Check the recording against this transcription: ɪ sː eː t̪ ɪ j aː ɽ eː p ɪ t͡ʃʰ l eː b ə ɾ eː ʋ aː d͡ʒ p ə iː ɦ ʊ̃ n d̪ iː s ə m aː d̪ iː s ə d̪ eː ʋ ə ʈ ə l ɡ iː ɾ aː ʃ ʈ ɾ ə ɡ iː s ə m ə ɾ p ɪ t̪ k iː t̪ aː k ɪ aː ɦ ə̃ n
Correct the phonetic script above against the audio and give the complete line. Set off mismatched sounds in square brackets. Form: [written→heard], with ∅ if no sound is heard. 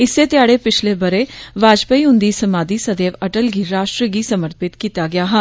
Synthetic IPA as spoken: ɪ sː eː t̪ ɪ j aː ɽ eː p ɪ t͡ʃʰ l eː b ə ɾ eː ʋ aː d͡ʒ p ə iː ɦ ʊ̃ n d̪ iː s ə m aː d̪ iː s ə d̪ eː ʋ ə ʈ ə l ɡ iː ɾ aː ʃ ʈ ɾ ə ɡ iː s ə m ə ɾ p ɪ t̪ k iː t̪ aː [k→ɡ] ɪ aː ɦ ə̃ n